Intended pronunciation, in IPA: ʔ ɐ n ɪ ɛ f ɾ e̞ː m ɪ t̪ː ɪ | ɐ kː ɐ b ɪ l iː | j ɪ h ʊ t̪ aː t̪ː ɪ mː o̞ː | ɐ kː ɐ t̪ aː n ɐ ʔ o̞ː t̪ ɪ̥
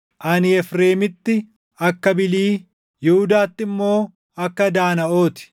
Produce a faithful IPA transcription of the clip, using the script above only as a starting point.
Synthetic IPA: ʔ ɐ n ɪ ɛ f ɾ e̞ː m ɪ t̪ː ɪ | ɐ kː ɐ b ɪ l iː | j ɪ h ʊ d̪ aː t̪ː ɪ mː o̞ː | ɐ kː ɐ d̪ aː n ɐ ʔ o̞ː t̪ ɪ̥